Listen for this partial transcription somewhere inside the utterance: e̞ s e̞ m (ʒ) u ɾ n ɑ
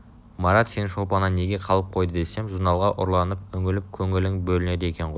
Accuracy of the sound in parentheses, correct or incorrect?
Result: correct